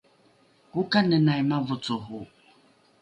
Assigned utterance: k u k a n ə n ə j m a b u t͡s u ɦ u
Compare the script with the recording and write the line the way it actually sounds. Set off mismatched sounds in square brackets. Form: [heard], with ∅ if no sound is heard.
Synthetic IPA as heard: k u k a n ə n [a] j m a [v] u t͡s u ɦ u